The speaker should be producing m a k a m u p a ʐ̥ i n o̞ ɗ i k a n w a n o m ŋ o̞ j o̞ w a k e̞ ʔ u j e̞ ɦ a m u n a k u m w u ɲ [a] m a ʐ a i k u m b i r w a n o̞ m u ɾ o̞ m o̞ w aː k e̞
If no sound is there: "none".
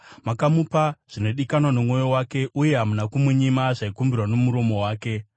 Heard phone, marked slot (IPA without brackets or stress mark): i